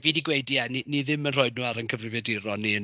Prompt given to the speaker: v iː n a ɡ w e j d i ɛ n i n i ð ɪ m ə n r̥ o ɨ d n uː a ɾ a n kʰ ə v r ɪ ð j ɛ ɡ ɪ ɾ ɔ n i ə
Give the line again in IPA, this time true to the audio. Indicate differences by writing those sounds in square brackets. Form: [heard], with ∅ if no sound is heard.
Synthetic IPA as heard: v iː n [i] ɡ w e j d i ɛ n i n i ð ɪ m ə n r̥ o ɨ d n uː a ɾ [ə] n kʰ ə v r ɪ [v] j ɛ [d] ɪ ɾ ɔ n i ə